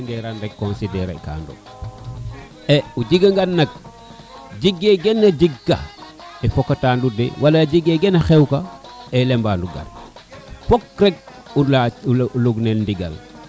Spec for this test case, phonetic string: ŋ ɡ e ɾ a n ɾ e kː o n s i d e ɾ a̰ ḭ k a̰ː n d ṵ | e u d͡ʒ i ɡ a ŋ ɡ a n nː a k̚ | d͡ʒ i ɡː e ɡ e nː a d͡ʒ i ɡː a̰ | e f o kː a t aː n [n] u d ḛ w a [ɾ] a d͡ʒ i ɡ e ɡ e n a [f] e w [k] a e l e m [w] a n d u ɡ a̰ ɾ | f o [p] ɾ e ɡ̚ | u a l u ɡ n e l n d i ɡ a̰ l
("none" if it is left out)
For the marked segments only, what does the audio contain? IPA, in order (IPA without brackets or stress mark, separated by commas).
d, l, x, k, b, k